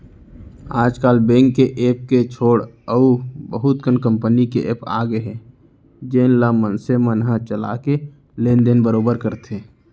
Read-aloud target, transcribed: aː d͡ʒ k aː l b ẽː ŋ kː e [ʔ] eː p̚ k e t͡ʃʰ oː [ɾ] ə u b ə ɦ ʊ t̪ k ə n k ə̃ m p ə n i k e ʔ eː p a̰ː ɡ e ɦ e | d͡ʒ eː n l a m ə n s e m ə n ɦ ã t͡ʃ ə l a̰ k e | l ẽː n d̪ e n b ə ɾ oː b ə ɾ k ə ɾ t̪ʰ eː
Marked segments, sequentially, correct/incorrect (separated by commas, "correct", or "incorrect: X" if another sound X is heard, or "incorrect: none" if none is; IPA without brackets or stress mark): correct, incorrect: ɽ